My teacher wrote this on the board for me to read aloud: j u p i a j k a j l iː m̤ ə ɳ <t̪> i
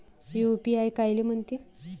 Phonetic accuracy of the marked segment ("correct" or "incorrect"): correct